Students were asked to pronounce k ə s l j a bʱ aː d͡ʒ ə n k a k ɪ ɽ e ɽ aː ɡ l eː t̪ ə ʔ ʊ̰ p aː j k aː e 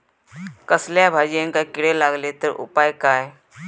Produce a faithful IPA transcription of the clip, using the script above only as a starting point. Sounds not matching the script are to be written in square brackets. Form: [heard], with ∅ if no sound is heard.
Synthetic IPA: k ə s l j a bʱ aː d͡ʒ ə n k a k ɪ ɽ e [l] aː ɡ l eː t̪ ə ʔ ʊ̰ p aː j k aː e